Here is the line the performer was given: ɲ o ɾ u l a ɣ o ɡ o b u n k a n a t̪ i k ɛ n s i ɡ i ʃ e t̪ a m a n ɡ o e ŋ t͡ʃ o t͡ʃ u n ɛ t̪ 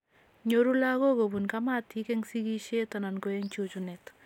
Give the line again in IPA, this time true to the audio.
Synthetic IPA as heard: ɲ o ɾ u l a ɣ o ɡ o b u n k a m a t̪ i k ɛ ŋ s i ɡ i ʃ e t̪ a n a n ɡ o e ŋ t͡ʃ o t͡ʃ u n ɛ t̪